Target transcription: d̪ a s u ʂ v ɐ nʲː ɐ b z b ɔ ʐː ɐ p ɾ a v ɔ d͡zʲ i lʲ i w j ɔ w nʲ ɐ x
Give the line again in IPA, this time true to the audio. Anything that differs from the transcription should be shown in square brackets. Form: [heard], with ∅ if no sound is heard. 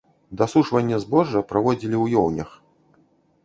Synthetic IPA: d̪ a s u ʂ v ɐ nʲː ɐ [∅] z b ɔ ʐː ɐ p ɾ a v ɔ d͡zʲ i lʲ i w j ɔ w nʲ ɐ x